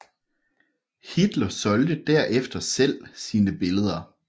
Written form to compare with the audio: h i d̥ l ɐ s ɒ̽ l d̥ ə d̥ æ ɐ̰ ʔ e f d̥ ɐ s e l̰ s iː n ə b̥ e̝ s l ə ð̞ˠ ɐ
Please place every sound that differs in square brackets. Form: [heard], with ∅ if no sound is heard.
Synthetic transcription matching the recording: h i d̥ l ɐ s ɒ̽ l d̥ ə d̥ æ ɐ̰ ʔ e f d̥ ɐ s e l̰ s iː n ə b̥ e̝ [∅] l ə ð̞ˠ ɐ